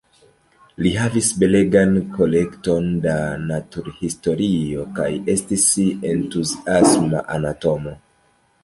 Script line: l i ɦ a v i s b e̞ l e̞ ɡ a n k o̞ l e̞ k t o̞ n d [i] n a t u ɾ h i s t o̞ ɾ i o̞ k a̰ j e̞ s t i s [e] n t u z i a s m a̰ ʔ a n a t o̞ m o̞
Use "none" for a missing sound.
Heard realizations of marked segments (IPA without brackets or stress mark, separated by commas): a, e